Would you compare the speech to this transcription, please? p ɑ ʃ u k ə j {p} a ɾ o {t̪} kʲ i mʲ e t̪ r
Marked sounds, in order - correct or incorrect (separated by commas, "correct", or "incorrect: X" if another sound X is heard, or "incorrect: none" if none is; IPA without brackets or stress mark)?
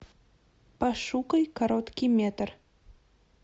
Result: incorrect: k, correct